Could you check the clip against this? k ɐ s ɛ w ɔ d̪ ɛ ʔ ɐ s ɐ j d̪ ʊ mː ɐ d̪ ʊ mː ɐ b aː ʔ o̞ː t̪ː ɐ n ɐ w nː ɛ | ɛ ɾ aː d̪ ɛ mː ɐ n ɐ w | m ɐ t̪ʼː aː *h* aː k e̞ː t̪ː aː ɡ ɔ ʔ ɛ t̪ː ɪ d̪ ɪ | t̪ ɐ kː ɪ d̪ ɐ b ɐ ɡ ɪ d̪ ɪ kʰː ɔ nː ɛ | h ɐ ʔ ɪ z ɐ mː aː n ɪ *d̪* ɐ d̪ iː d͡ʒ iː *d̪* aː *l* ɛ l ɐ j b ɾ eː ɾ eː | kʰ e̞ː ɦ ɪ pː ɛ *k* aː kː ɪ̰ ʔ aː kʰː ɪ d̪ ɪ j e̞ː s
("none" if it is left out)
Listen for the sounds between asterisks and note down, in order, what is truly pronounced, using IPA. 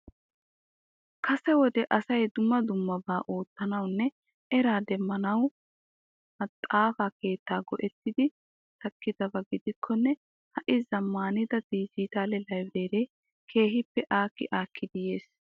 f, d̪, t̪, l, ʔ

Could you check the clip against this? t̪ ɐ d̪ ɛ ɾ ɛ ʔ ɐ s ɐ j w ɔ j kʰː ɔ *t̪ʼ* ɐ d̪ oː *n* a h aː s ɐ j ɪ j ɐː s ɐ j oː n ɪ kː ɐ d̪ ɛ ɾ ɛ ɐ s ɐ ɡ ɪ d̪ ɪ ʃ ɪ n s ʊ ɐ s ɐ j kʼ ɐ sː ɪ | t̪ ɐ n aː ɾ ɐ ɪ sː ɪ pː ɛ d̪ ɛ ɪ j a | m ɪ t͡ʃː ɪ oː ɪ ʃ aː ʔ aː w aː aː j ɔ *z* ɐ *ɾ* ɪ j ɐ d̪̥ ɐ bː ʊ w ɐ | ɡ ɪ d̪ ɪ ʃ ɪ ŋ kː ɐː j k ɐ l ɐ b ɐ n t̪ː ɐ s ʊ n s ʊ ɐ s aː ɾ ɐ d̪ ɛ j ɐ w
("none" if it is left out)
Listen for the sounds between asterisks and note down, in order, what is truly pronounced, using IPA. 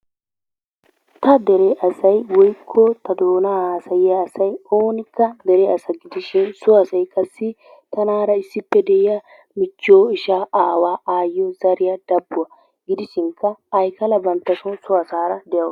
t̪, n, z, ɾ

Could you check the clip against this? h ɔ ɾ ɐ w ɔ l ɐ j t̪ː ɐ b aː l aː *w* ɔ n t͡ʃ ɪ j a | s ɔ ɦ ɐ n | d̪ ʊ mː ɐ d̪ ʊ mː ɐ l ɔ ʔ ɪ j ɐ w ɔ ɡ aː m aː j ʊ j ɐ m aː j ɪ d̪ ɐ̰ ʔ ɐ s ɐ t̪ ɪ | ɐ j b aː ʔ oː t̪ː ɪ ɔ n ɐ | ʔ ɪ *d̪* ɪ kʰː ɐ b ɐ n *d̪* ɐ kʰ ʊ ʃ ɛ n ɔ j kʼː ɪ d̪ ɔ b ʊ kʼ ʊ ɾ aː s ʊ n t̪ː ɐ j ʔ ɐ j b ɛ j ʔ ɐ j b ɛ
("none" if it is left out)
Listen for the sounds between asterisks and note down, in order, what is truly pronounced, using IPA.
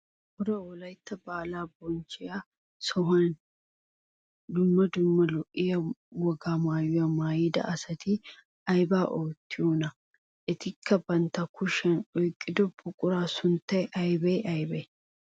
b, t̪, t̪

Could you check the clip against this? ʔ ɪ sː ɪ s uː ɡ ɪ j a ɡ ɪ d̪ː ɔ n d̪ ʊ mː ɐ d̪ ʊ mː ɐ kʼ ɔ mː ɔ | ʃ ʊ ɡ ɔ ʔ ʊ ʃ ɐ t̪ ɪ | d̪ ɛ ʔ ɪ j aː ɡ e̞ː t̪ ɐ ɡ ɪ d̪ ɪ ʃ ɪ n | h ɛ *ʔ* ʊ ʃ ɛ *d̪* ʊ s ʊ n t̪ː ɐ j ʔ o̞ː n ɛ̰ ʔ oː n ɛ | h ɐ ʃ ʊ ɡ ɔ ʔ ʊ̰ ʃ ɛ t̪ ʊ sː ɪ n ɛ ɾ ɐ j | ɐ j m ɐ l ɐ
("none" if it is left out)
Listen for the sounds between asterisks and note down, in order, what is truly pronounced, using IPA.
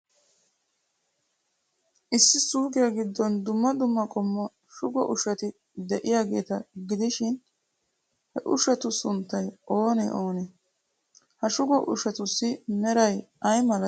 ʔ, t̪

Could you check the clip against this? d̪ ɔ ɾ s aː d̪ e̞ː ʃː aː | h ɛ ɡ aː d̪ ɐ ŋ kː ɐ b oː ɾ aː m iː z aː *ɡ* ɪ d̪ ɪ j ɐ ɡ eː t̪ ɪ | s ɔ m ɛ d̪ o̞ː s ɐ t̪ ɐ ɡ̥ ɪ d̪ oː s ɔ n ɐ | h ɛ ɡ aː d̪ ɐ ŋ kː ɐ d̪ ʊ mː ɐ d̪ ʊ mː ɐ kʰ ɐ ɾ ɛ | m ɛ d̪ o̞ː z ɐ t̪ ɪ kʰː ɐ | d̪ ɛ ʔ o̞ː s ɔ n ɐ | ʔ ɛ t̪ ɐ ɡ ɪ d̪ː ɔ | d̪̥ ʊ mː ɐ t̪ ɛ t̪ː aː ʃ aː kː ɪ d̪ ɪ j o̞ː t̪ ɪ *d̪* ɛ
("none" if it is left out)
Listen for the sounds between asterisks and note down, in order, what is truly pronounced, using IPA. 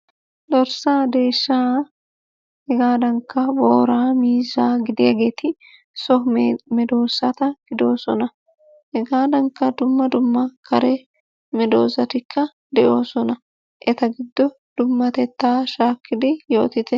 ɡ, t̪

